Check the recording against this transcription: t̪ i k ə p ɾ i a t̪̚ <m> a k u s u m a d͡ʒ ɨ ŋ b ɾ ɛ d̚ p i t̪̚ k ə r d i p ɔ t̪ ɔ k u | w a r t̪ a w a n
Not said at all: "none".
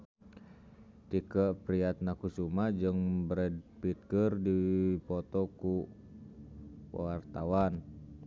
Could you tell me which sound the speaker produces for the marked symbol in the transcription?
n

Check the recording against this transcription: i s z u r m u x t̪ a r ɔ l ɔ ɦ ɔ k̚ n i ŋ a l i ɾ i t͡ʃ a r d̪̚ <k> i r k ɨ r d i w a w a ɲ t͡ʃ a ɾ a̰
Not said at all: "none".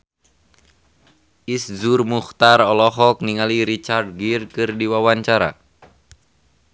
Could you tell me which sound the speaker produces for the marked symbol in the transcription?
ɡ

